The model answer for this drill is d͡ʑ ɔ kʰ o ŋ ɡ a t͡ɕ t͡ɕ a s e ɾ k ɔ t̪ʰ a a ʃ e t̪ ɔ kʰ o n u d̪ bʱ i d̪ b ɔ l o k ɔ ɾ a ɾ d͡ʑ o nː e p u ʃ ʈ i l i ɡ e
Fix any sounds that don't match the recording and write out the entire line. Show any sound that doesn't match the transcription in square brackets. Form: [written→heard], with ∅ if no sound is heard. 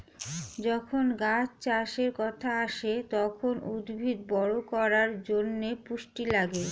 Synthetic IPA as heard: d͡ʑ ɔ kʰ o [ŋ→n] ɡ a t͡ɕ t͡ɕ a [s→ʃ] e ɾ k ɔ t̪ʰ a a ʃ e t̪ ɔ kʰ o n u d̪ bʱ i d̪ b ɔ [l→ɽ] o k ɔ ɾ a ɾ d͡ʑ o nː e p u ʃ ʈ i l [i→a] ɡ e

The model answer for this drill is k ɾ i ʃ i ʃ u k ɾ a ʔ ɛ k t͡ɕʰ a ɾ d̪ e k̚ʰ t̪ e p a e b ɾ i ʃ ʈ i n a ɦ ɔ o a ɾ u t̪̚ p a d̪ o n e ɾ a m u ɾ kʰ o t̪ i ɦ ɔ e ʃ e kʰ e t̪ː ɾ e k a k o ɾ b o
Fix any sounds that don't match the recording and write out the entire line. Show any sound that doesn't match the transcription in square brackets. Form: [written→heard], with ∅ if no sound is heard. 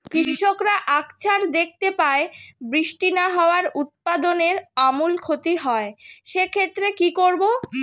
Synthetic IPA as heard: k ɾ i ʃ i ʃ [u→o] k ɾ a ʔ [ɛ→a] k t͡ɕʰ a ɾ d̪ e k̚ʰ t̪ e p a e b ɾ i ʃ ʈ i n a ɦ ɔ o a ɾ u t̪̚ p a d̪ o n e ɾ a m u [ɾ→l] kʰ o t̪ i ɦ ɔ e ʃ e kʰ e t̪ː ɾ e k [a→i] k o ɾ b o

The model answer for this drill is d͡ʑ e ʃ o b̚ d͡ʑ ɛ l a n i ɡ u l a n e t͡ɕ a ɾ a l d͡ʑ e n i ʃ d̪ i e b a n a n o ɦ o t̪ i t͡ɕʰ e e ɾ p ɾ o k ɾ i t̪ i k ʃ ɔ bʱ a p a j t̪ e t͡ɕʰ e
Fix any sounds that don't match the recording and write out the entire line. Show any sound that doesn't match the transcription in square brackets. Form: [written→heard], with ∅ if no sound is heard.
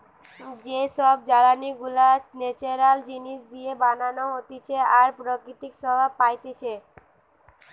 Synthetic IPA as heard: d͡ʑ e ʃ [o→ɔ] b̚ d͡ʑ [ɛ→a] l a n i ɡ u l a n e t͡ɕ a ɾ a l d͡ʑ [e→i] n i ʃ d̪ i e b a n a n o ɦ o t̪ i t͡ɕʰ e [e→a] ɾ p ɾ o k ɾ i t̪ i k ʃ ɔ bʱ a p a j t̪ e t͡ɕʰ e

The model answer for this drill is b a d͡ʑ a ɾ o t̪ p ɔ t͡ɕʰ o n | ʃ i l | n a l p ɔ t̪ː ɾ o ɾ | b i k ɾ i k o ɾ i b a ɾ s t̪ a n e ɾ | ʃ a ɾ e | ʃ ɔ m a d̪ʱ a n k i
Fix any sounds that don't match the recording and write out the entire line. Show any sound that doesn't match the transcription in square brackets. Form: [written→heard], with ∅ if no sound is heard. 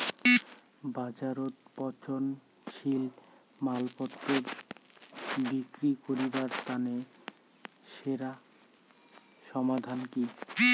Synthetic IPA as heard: b a d͡ʑ a ɾ o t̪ p ɔ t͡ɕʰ o n | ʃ i l | [n→m] a l p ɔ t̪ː ɾ o ɾ | b i k ɾ i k o ɾ i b a ɾ s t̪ a n e [ɾ→∅] | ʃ [a→e] ɾ [e→a] | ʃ ɔ m a d̪ʱ a n k i

